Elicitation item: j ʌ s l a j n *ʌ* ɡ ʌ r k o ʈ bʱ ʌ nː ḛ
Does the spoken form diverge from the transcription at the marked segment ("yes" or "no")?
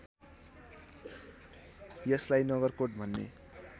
no